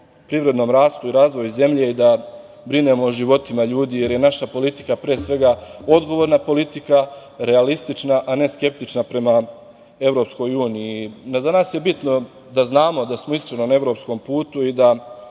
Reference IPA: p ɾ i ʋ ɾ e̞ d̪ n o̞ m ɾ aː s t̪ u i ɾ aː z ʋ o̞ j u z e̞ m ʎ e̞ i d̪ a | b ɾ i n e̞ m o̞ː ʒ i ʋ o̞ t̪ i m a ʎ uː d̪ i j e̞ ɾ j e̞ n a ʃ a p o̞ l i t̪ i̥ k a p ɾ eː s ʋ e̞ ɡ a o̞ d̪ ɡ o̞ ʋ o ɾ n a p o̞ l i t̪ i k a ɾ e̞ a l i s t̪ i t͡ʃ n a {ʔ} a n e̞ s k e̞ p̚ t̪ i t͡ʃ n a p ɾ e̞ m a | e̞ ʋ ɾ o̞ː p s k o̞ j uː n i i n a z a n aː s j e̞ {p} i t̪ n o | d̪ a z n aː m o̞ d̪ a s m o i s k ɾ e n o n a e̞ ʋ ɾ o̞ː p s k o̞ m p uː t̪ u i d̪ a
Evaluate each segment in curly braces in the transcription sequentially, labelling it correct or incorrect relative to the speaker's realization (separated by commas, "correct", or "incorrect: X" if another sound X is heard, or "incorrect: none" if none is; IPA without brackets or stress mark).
correct, incorrect: b